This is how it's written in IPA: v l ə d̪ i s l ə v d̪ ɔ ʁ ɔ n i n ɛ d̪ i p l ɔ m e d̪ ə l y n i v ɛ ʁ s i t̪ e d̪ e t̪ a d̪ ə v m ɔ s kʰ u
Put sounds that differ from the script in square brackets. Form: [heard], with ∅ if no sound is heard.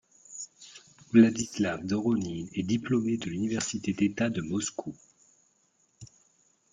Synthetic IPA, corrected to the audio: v l [a] d̪ i s l [a] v d̪ ɔ ʁ ɔ n i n ɛ d̪ i p l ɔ m e d̪ ə l y n i v ɛ ʁ s i t̪ e d̪ e t̪ a d̪ ə [∅] m ɔ s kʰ u